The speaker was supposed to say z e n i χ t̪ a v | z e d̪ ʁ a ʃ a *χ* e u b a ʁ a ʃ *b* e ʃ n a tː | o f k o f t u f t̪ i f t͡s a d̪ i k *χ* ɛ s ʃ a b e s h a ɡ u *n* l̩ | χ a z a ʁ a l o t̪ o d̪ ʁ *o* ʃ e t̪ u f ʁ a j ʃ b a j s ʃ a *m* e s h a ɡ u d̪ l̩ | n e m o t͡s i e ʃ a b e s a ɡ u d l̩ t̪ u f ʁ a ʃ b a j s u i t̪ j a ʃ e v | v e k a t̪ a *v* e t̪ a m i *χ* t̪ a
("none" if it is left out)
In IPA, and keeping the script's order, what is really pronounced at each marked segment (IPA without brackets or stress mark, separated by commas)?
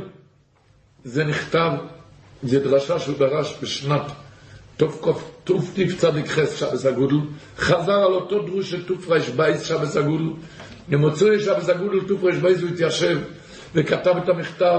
ʃ, b, χ, d, u, b, v, χ